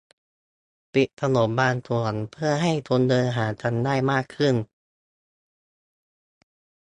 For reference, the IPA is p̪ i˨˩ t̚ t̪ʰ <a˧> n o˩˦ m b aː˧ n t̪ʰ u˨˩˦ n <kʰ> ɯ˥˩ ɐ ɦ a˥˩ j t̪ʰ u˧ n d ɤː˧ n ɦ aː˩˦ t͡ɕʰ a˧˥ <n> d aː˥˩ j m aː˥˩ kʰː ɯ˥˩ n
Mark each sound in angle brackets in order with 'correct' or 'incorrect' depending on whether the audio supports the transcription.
correct, incorrect, correct

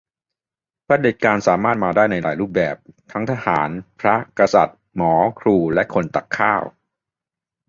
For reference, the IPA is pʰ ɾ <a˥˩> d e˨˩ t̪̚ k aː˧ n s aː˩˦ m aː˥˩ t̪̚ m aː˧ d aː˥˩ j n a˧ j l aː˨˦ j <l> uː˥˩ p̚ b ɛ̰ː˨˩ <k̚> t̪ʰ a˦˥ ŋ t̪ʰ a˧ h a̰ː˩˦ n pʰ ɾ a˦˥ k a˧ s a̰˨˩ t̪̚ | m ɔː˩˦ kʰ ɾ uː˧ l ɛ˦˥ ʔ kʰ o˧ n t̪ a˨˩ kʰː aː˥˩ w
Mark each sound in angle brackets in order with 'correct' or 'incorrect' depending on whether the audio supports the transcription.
incorrect, incorrect, incorrect

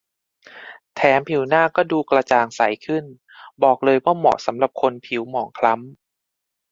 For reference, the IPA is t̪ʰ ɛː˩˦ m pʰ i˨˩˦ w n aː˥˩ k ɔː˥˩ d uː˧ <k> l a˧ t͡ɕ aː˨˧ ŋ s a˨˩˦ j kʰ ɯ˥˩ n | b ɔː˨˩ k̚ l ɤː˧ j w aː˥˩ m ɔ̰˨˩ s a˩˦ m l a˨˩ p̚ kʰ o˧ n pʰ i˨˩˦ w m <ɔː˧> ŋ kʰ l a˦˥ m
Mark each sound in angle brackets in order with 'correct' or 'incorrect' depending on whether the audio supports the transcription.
correct, incorrect

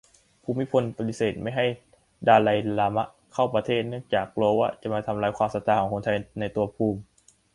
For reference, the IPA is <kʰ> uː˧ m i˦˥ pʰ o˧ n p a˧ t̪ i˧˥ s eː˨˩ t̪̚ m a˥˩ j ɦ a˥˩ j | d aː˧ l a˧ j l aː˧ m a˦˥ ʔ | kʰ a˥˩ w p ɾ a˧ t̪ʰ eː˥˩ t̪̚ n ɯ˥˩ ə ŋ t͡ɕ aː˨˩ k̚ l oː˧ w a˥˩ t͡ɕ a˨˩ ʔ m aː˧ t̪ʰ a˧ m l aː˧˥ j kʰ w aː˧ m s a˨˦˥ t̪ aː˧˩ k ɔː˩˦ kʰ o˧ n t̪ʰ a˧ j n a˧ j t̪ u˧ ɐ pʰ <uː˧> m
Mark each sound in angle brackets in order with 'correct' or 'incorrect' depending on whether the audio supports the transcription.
incorrect, correct

